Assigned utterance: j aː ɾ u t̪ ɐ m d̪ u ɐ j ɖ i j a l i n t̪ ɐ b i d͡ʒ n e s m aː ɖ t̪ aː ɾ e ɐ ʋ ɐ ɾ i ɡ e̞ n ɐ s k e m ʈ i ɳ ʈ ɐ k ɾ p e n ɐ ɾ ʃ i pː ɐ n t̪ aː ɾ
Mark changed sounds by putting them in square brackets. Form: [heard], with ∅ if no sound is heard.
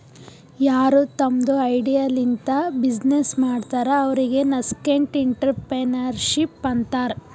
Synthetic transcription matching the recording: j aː ɾ u t̪ ɐ m d̪ u ɐ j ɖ i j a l i n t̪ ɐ b i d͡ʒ n e s m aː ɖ t̪ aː ɾ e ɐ ʋ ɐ ɾ i ɡ e̞ n ɐ s k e [ɳ] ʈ i ɳ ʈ ɐ [∅] ɾ p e n ɐ ɾ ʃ i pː ɐ n t̪ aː ɾ